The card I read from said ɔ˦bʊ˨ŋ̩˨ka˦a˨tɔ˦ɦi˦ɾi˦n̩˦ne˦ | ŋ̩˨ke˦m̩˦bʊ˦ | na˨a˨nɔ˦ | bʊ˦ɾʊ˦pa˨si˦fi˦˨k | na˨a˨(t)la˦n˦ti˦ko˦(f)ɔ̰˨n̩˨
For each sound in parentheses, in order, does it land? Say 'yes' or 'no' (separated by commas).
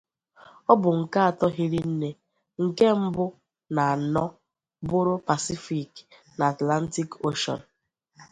yes, no